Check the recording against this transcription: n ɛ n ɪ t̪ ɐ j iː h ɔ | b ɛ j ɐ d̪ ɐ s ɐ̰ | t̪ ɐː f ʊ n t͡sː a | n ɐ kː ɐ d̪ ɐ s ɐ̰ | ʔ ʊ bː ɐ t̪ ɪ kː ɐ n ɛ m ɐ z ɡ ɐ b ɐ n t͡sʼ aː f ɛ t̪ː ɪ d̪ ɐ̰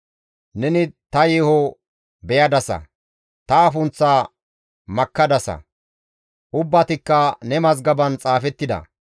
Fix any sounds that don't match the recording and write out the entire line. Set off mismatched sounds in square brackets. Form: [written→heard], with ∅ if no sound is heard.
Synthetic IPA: n ɛ n ɪ t̪ ɐ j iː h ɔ | b ɛ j ɐ d̪ ɐ s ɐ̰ | t̪ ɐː f ʊ n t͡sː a | [n→m] ɐ kː ɐ d̪ ɐ s ɐ̰ | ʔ ʊ bː ɐ t̪ ɪ kː ɐ n ɛ m ɐ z ɡ ɐ b ɐ n t͡sʼ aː f ɛ t̪ː ɪ d̪ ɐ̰